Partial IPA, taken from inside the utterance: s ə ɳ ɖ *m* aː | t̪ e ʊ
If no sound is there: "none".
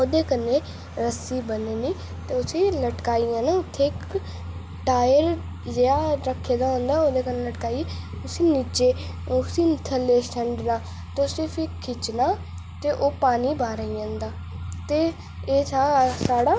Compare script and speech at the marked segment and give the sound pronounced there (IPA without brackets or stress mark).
n